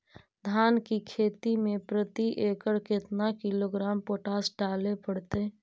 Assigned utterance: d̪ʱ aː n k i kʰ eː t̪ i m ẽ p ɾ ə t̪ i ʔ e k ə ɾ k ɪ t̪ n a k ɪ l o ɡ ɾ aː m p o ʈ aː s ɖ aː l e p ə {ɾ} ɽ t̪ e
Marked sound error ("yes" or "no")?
yes